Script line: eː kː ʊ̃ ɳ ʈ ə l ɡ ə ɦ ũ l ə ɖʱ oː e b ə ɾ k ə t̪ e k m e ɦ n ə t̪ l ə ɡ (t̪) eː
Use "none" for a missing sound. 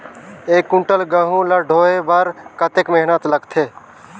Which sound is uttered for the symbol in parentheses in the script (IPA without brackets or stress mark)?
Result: t̪ʰ